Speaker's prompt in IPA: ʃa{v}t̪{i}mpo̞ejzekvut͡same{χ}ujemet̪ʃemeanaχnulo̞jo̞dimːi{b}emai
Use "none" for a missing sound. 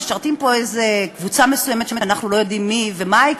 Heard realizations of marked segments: ʁ, i, s, v

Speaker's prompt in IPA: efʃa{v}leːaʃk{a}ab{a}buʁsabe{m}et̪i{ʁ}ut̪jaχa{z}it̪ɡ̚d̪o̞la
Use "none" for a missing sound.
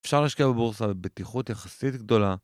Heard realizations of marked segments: ʁ, i, e, b, χ, s

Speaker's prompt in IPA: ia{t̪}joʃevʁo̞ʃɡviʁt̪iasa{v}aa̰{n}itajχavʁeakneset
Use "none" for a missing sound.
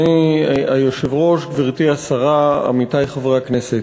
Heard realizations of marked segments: none, ʁ, m

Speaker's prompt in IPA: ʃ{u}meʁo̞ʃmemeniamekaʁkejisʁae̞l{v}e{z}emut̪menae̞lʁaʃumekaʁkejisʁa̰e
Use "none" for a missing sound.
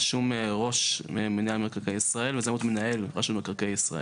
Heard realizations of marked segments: u, v, z

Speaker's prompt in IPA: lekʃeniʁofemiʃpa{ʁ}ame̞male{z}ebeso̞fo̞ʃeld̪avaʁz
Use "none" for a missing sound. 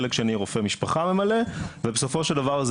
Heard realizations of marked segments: χ, v

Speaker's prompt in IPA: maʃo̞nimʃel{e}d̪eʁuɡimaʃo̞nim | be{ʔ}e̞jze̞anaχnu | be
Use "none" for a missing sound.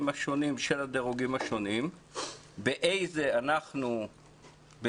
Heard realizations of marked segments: a, ʔ

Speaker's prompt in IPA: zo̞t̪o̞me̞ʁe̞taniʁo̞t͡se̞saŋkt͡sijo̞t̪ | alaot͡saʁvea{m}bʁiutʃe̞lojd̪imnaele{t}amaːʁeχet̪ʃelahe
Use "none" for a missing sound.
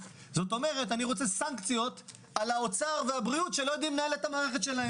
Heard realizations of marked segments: none, t

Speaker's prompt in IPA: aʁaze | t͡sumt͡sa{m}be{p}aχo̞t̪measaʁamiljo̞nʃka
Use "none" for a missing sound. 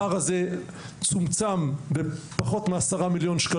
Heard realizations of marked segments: m, p

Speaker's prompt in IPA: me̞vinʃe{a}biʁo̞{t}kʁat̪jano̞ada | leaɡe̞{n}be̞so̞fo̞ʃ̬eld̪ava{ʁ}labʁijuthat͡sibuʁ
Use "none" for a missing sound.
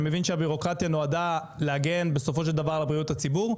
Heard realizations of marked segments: a, none, n, ʁ

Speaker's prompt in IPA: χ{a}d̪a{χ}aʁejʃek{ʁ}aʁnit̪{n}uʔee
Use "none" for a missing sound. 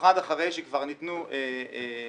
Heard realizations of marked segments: a, χ, v, n

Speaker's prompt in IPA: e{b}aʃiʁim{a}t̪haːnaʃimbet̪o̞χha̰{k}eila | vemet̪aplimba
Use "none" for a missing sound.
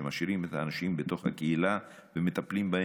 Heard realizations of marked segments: m, e, k

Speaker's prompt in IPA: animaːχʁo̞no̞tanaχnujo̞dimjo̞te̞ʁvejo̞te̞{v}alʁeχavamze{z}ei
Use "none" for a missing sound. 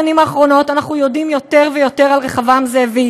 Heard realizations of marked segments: ʁ, v

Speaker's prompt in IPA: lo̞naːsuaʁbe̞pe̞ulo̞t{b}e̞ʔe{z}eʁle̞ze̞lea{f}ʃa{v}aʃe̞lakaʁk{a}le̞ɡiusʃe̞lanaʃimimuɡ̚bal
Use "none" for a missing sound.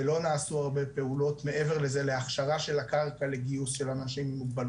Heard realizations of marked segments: m, v, χ, ʁ, a

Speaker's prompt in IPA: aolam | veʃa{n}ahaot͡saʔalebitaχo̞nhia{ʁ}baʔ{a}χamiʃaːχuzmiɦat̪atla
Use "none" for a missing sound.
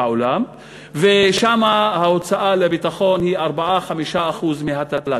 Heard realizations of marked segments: m, ʁ, a

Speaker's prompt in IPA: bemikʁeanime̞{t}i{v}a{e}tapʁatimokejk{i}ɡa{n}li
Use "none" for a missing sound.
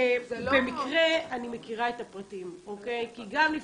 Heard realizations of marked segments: k, ʁ, e, i, m

